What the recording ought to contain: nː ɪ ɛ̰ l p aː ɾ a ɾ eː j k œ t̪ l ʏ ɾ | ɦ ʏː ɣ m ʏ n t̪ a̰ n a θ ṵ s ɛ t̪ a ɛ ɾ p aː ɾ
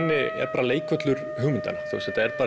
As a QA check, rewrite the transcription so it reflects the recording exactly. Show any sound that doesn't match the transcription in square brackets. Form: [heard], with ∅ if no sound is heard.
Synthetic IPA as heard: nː ɪ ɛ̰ [ɾ] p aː ɾ a [l] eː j k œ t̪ l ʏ ɾ | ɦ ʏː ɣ m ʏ n t̪ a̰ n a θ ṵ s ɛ t̪ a ɛ ɾ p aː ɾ